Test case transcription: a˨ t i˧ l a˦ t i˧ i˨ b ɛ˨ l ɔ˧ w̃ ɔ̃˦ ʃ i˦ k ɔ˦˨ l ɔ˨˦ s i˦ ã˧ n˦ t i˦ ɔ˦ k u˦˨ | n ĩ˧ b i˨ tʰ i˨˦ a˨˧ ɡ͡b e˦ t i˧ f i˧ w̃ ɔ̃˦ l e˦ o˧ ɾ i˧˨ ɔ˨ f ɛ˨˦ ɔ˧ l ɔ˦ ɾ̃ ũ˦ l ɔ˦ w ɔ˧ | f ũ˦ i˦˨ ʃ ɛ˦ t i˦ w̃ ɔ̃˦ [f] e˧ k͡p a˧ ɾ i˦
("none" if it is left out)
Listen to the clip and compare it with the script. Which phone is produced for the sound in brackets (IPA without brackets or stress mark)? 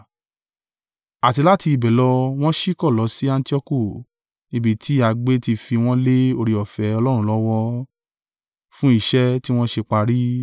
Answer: ʃ